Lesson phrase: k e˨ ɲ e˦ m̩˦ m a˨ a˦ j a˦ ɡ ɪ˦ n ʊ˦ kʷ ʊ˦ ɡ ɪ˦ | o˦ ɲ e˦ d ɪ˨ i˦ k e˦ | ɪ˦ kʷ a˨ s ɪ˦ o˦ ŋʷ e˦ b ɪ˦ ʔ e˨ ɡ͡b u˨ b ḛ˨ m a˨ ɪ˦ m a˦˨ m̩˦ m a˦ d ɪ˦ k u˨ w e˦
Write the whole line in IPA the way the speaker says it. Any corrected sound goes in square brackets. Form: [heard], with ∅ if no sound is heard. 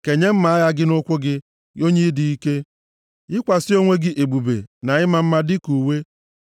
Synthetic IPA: k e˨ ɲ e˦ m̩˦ m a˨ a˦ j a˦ ɡ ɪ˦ n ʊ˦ kʷ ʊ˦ ɡ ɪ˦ | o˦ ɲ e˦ d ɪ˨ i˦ k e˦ | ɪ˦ kʷ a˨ s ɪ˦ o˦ ŋʷ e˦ [ɡ] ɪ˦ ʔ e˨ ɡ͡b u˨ b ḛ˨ [n] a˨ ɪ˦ m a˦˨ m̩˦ m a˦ d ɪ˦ k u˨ w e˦

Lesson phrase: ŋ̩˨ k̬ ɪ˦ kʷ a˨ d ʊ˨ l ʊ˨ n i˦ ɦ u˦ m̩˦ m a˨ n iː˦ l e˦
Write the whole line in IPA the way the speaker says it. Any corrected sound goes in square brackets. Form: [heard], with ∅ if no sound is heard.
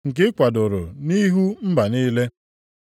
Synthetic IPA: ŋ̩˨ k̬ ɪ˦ kʷ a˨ d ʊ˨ [ɾ] ʊ˨ n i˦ ɦ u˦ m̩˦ [b] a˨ n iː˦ l e˦

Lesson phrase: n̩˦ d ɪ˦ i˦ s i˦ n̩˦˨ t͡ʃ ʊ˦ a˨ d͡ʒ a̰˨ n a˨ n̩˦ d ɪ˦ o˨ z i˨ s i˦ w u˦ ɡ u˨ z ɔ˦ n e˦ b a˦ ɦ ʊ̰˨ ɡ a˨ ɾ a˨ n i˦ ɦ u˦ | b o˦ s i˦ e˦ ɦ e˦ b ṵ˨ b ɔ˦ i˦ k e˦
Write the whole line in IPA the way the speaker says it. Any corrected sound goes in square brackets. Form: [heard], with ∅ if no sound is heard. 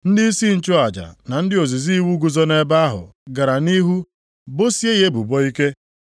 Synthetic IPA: n̩˦ d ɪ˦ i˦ s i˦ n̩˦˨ t͡ʃ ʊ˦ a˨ d͡ʒ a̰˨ n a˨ n̩˦ d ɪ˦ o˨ z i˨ [z] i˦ w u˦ ɡ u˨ z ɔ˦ n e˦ b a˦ ɦ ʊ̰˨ ɡ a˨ ɾ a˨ n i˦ ɦ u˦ | b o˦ s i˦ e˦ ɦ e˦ b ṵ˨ b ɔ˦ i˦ k e˦

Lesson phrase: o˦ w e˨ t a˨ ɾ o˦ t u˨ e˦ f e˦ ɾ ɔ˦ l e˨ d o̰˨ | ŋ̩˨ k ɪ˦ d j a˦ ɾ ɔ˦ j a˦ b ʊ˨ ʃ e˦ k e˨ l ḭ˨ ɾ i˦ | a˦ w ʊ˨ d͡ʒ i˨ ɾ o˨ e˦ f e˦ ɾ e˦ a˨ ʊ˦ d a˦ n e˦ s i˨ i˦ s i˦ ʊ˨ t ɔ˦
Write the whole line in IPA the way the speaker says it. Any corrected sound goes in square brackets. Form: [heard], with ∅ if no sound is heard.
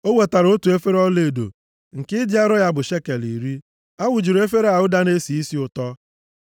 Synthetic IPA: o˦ w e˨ t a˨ ɾ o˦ t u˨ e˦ f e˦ ɾ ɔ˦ l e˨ d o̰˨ | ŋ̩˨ k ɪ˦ d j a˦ ɾ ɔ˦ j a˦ b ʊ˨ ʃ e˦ k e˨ l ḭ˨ ɾ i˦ | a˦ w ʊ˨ d͡ʒ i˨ ɾ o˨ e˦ f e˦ ɾ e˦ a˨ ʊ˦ d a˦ n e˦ s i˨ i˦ s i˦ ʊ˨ t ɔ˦

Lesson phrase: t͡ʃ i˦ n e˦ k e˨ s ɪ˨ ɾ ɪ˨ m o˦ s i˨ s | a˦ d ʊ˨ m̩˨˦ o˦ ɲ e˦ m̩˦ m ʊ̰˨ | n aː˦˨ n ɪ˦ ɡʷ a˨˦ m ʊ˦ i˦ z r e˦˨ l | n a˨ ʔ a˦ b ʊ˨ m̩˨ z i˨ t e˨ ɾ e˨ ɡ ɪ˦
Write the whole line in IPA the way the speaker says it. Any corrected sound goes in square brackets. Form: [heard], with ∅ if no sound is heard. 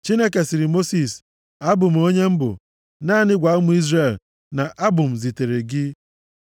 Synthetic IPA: t͡ʃ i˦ n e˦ k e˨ s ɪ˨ ɾ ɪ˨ m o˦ s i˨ s | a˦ [b] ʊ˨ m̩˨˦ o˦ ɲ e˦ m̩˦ [b] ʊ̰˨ | n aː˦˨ n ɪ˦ ɡʷ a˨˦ m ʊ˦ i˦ z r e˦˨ l | n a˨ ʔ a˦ b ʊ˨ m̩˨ z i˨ t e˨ ɾ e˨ ɡ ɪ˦

